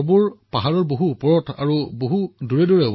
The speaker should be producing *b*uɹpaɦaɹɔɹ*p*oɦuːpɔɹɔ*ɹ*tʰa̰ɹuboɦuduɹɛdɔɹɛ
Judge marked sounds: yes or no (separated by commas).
yes, no, no